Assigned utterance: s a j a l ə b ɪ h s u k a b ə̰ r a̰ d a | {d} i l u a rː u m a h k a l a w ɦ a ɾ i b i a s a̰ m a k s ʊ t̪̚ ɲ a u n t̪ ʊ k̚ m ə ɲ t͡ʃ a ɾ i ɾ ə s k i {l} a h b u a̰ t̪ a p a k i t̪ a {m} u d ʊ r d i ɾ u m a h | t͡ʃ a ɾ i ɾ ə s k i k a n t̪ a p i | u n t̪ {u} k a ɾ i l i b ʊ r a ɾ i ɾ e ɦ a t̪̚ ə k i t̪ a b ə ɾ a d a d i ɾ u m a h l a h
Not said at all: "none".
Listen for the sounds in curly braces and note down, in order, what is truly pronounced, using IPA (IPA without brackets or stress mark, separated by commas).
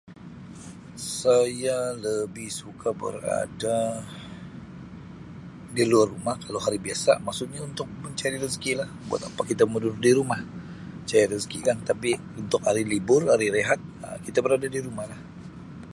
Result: d, l, m, ʊ